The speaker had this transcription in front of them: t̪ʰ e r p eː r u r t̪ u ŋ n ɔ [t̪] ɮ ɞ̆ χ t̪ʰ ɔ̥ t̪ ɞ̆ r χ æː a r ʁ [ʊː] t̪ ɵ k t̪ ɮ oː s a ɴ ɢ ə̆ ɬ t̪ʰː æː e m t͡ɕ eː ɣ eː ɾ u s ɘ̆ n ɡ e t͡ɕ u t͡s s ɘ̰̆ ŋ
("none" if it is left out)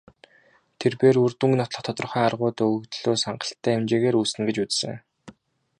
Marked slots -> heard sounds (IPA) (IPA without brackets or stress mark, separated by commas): t̪, ʊː